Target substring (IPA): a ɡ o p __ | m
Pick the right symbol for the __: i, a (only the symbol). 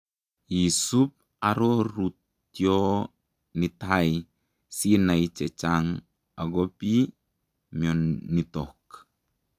i